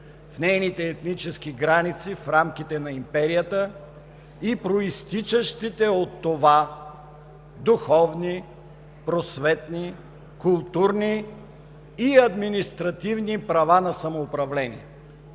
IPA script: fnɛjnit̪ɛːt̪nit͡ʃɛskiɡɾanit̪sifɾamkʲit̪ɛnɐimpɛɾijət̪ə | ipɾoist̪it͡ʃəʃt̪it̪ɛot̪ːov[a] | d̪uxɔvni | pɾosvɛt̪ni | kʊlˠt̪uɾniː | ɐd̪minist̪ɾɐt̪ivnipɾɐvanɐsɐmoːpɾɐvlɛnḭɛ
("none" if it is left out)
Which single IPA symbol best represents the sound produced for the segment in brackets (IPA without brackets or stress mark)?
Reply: a